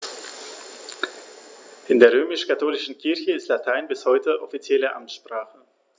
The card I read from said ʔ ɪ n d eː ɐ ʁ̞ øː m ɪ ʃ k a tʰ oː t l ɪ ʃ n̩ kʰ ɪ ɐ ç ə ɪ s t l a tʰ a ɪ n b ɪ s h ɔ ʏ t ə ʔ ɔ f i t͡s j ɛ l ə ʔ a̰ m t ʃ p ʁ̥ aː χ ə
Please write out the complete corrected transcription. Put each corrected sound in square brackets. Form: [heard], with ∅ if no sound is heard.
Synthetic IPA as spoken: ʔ ɪ n d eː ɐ ʁ̞ øː m ɪ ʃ k a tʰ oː [∅] l ɪ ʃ n̩ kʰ ɪ ɐ ç ə ɪ s t l a tʰ a ɪ n b ɪ s h ɔ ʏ t ə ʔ ɔ f i t͡s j ɛ l ə ʔ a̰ m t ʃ p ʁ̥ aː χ ə